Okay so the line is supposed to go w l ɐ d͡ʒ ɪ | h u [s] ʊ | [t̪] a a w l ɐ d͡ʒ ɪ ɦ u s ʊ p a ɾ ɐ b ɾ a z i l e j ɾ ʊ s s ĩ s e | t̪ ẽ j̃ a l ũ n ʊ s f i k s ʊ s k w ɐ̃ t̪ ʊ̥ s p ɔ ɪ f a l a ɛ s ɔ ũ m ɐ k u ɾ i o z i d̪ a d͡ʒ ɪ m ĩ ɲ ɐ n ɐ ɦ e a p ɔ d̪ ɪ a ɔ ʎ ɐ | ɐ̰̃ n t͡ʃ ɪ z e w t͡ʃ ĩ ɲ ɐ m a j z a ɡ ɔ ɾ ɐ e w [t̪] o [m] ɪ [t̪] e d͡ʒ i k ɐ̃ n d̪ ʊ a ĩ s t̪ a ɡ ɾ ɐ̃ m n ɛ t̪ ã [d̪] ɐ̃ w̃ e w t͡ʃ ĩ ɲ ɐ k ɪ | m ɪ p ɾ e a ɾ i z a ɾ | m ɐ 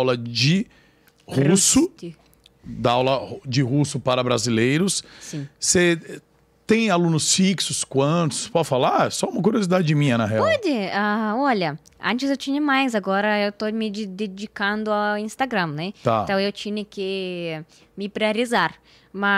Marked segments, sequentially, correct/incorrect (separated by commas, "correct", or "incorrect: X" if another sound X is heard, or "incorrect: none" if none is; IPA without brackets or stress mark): correct, incorrect: d̪, correct, correct, incorrect: d̪, incorrect: t̪